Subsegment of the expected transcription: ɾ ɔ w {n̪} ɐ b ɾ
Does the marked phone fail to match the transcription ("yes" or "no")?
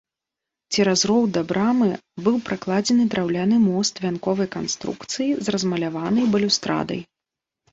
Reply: yes